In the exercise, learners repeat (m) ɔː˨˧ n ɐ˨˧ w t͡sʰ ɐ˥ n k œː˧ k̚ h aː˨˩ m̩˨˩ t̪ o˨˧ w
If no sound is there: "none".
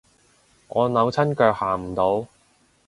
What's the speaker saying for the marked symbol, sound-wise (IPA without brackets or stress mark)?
ŋ